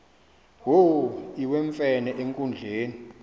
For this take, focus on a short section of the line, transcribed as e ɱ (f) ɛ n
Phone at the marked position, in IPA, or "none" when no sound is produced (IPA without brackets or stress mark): f